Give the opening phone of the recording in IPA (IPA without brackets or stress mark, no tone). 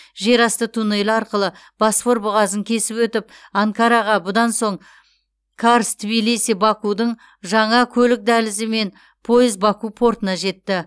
ʒ